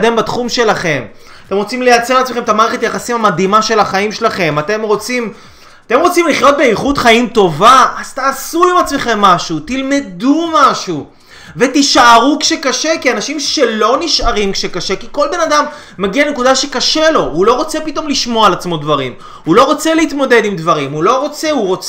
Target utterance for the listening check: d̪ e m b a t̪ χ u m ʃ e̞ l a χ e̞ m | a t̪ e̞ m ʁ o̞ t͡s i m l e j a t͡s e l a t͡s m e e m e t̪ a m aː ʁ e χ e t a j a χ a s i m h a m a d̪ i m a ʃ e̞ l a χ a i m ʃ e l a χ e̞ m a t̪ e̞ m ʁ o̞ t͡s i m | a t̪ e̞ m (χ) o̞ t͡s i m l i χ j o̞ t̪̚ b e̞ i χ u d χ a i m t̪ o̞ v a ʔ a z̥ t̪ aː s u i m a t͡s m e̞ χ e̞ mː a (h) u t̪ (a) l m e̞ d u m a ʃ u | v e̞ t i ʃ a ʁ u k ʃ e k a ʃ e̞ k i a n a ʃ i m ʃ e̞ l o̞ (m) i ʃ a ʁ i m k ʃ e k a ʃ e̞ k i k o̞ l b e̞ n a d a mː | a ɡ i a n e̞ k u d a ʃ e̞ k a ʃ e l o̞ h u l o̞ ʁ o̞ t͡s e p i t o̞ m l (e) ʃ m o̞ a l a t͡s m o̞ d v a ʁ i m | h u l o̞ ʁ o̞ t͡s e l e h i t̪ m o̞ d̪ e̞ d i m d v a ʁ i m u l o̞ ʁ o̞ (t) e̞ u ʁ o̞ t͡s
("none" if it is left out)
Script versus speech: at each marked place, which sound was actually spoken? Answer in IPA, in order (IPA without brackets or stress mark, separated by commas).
ʁ, ʃ, i, n, i, t͡s